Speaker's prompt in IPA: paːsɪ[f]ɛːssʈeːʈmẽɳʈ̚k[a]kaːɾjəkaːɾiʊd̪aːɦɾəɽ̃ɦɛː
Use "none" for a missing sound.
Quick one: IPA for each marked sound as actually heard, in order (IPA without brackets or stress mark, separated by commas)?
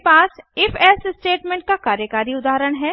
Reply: f, a